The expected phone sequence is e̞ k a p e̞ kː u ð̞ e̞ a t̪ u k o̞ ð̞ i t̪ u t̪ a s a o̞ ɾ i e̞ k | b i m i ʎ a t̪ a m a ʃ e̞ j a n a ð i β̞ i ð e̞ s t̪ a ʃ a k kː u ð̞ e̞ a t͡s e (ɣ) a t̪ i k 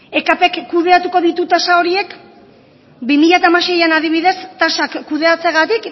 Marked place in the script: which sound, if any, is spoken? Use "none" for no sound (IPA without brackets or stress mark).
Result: ɣ